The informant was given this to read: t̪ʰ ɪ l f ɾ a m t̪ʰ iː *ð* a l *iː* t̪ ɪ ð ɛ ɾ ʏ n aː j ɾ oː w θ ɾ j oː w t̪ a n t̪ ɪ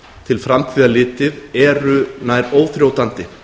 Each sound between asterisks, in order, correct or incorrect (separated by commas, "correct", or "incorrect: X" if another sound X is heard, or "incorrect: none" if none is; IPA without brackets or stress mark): correct, incorrect: ɪː